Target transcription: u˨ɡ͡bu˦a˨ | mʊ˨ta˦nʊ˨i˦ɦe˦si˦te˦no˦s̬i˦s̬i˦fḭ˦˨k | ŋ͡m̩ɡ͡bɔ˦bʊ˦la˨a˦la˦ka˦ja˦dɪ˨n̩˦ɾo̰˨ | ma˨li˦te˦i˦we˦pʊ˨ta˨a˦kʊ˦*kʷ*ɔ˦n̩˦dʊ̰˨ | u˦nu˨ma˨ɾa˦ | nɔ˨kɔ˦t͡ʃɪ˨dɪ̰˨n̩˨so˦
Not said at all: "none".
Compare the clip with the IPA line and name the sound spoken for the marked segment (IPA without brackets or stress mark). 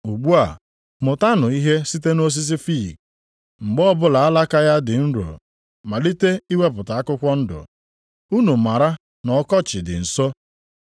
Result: kʷ